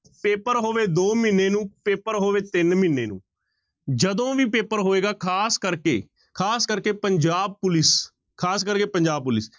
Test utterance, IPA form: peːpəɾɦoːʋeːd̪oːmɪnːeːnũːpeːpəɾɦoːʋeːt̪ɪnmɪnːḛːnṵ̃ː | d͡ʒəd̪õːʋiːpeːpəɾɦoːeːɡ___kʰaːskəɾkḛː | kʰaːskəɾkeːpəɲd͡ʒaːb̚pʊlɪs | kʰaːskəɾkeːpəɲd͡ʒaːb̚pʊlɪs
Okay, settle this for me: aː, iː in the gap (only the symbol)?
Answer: aː